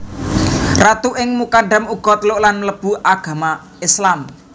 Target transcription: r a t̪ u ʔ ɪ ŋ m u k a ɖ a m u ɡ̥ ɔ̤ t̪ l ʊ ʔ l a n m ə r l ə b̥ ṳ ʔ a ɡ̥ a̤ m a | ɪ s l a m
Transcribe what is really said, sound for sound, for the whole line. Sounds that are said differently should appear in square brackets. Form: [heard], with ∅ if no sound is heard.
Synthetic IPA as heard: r a t̪ u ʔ ɪ ŋ m u k a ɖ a m u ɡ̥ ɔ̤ t̪ l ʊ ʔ l a n m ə [∅] l ə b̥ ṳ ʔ a ɡ̥ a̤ m a | ɪ s l a m